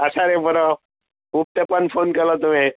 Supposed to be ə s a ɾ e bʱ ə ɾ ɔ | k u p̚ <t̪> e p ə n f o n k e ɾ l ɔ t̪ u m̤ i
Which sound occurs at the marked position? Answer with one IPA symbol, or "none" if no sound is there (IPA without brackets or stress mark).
t̪